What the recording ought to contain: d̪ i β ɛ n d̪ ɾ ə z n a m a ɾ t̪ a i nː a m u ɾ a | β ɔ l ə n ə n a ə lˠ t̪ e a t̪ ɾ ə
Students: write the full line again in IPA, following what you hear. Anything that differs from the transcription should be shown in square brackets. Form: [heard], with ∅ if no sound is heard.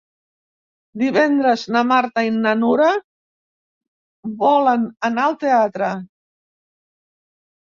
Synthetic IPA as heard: d̪ i β ɛ n d̪ ɾ ə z n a m a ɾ t̪ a i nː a [n] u ɾ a | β ɔ l ə n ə n a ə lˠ t̪ e a t̪ ɾ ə